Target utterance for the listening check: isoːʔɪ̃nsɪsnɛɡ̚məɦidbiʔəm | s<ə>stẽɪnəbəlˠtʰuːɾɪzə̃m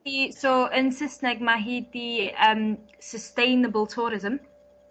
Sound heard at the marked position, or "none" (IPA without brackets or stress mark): ə